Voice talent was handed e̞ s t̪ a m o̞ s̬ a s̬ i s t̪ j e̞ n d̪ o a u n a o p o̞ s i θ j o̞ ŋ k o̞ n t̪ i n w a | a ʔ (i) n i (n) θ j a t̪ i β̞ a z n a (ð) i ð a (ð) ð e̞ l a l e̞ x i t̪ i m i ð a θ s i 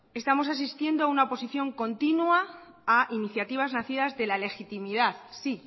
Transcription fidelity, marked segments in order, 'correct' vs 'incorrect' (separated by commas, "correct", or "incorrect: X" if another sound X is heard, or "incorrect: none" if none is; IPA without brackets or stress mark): correct, incorrect: none, incorrect: θ, incorrect: z